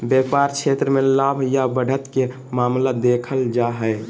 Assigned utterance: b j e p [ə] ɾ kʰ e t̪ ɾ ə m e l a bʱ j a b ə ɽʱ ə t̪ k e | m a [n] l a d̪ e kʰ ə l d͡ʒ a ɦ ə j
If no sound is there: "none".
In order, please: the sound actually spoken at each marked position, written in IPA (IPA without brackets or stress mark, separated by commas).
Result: a, m